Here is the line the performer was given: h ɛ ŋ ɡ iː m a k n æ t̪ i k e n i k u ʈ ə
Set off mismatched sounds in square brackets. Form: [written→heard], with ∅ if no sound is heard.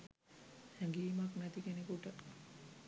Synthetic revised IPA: h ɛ ŋ ɡ iː m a k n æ t̪ i k e n [i→e] k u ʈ ə